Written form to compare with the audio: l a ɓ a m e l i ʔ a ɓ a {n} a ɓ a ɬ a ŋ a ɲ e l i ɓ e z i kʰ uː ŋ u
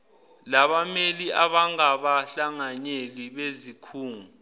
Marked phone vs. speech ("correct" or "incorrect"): incorrect